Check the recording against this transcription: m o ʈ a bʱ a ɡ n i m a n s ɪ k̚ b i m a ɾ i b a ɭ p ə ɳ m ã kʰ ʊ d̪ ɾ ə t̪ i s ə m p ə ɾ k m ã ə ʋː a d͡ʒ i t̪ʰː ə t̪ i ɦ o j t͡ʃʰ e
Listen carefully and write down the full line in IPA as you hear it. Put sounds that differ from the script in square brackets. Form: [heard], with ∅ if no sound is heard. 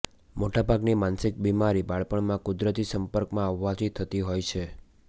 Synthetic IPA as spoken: m o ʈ a bʱ a ɡ n i m a n s ɪ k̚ b i m a ɾ i b a ɭ p ə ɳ m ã [k] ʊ d̪ ɾ ə t̪ i s ə m p ə ɾ k m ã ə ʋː a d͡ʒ i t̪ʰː ə t̪ i ɦ o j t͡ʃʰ e